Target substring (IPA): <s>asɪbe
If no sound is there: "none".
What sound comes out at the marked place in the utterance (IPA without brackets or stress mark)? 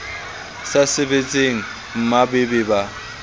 s